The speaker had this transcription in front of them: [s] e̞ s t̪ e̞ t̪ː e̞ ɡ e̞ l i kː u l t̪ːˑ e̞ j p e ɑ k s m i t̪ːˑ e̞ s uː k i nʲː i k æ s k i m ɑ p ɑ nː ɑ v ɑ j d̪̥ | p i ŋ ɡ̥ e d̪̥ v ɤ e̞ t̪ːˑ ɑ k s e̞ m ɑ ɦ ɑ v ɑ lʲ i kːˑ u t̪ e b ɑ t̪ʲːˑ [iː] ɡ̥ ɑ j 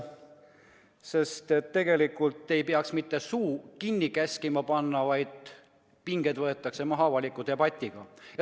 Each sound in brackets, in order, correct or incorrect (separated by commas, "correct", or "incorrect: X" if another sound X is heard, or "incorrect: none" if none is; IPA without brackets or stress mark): correct, incorrect: i